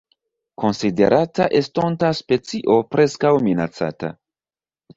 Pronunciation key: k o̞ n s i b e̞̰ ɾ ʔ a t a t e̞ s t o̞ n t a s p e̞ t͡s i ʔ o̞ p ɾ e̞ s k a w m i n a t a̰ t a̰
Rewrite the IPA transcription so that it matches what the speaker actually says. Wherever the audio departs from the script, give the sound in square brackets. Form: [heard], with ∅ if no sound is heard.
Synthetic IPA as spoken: k o̞ n s i [d] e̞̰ ɾ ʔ a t a [ʔ] e̞ s t o̞ n t a s p e̞ t͡s i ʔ o̞ p ɾ e̞ s k a w m i n a [t͡s] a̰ t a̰